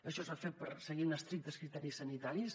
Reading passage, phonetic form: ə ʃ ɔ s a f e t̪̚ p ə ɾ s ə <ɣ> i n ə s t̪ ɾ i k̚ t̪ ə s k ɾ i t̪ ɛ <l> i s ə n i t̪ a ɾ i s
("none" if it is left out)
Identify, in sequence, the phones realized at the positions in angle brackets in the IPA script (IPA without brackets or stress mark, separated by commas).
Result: ɣ, ɾ